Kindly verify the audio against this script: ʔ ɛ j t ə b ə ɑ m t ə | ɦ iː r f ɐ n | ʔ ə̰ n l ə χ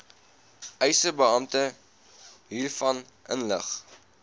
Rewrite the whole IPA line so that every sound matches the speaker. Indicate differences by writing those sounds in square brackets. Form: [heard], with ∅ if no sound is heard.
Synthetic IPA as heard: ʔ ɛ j [s] ə b ə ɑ m t ə | ɦ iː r f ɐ n | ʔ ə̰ n l ə χ